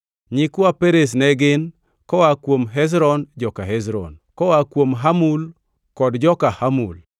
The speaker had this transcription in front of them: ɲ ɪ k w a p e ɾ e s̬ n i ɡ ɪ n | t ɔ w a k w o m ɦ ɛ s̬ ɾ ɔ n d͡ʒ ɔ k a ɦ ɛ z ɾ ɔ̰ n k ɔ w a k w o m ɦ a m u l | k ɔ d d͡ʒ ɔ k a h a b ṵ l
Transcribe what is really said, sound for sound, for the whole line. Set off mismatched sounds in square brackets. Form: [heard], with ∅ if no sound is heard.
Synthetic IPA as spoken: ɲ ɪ k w a p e ɾ e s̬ n [ɛ] ɡ ɪ n | [k] ɔ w a k w o m ɦ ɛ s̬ ɾ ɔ n d͡ʒ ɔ k a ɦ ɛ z ɾ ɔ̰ n k ɔ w a k w o m ɦ a m u l | k ɔ d d͡ʒ ɔ k a h a [m] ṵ l